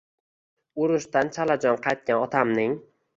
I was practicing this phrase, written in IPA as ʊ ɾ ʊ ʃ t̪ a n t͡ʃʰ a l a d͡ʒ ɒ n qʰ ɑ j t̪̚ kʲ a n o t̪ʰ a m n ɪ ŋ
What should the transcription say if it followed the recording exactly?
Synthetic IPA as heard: ʊ ɾ ʊ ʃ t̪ a n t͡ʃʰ a l a d͡ʒ ɒ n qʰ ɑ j t̪̚ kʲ a n ɒ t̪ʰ a m n ɪ ŋ